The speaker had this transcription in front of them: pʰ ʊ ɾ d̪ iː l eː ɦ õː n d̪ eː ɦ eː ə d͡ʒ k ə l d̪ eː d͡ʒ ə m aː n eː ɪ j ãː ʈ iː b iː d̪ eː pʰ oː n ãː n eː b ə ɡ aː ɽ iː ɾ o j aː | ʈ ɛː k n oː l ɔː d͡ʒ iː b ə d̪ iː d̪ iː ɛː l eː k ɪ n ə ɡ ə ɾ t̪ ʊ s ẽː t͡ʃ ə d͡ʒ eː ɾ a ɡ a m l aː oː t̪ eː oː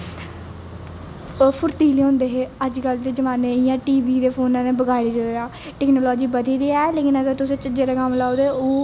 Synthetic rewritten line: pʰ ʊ ɾ t̪ iː l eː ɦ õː n d̪ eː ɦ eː ə d͡ʒ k ə l d̪ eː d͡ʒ ə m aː n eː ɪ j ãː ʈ iː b iː d̪ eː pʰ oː n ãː n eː b ə ɡ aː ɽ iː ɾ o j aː | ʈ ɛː k n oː l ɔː d͡ʒ iː b ə d̪ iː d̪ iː ɛː l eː k ɪ n ə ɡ ə ɾ t̪ ʊ s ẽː t͡ʃ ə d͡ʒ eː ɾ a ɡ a m l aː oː d̪ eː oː

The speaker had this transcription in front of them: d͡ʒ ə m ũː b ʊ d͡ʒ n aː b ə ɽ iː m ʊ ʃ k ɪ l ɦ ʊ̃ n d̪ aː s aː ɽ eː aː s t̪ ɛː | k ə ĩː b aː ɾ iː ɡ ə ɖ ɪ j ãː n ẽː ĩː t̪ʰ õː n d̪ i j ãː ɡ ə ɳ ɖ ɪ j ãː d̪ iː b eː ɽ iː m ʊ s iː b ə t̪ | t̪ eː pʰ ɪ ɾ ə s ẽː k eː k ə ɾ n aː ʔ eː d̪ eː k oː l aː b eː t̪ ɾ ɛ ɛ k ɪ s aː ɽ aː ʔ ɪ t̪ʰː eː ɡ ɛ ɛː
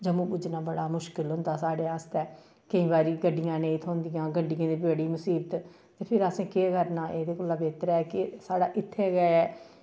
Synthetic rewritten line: d͡ʒ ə m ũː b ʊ d͡ʒ n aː b ə ɽ aː m ʊ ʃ k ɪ l ɦ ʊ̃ n d̪ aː s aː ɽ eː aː s t̪ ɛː | k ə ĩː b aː ɾ iː ɡ ə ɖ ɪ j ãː n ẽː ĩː t̪ʰ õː n d̪ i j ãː ɡ ə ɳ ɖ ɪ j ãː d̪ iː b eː ɽ iː m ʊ s iː b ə t̪ | t̪ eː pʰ ɪ ɾ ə s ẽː k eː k ə ɾ n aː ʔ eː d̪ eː k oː l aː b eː t̪ ɾ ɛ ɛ k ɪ s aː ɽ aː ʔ ɪ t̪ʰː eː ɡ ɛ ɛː

